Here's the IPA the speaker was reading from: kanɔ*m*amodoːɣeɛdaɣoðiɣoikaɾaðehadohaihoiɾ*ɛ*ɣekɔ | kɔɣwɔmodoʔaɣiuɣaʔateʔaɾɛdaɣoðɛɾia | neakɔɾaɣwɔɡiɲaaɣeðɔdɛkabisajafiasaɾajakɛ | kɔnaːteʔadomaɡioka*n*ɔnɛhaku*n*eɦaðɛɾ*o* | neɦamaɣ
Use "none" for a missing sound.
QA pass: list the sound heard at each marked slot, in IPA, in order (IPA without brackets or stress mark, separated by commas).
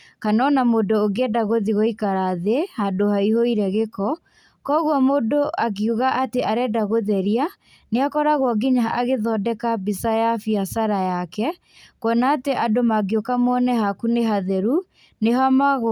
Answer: n, ɛ, m, n, u